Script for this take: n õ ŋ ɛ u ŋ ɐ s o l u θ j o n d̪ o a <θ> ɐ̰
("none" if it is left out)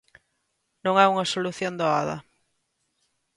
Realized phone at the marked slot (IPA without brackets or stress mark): ð